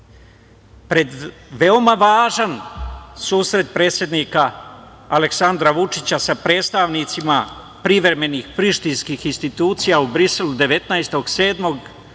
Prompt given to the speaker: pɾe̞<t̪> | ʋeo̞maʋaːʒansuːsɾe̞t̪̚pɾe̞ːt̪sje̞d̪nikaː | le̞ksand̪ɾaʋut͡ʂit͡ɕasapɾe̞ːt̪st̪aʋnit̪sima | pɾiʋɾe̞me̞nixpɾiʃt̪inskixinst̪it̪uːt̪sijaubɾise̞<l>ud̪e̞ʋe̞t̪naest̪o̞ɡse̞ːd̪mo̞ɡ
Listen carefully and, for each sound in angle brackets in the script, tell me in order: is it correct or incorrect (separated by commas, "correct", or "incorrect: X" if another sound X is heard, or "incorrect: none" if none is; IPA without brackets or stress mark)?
incorrect: d̪, correct